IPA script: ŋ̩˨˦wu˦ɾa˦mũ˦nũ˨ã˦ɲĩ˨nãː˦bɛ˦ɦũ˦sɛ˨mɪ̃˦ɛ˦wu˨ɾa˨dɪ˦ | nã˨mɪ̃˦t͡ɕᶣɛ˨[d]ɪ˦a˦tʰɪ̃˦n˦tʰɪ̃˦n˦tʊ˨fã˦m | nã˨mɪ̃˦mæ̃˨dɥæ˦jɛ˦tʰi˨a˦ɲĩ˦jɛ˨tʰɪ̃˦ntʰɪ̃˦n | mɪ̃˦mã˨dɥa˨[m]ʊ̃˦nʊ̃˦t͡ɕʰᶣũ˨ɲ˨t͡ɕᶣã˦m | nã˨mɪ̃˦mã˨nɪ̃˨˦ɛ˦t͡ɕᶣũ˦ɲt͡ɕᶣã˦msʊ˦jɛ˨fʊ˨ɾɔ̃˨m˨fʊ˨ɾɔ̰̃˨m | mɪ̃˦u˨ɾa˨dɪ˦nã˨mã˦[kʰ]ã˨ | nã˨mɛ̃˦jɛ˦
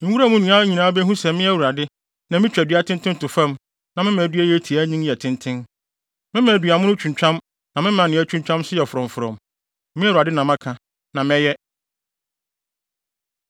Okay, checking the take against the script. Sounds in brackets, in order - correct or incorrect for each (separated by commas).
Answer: correct, correct, correct